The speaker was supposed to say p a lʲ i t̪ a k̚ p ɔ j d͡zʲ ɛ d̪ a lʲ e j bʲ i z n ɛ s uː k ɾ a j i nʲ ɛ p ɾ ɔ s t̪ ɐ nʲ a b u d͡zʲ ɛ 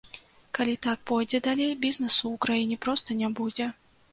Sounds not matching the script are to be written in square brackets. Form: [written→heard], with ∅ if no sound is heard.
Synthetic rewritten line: [p→k] a lʲ i t̪ a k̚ p ɔ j d͡zʲ ɛ d̪ a lʲ e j bʲ i z n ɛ s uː k ɾ a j i nʲ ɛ p ɾ ɔ s t̪ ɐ nʲ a b u d͡zʲ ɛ

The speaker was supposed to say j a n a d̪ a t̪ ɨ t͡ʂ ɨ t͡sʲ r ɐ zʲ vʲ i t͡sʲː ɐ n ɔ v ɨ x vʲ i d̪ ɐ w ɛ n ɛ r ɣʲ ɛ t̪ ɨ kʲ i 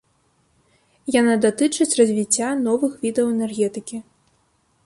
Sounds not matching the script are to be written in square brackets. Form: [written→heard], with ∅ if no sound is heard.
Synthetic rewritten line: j a n a d̪ a t̪ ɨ t͡ʂ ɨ t͡sʲ r ɐ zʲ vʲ i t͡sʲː [ɐ→a] n ɔ v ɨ x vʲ i d̪ ɐ w ɛ n ɛ r ɣʲ ɛ t̪ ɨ kʲ i

